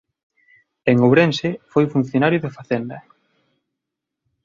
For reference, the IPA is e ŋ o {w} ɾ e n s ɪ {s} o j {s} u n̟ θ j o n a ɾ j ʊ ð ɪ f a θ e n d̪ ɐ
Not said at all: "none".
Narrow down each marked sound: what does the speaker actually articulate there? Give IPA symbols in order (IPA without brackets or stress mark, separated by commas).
β, f, f